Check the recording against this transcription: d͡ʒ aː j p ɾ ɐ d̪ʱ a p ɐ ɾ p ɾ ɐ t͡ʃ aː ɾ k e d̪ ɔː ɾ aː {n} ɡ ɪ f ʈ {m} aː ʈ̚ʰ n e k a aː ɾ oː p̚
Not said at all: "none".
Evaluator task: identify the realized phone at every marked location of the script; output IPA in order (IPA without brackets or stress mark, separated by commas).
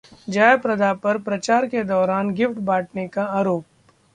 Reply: n, b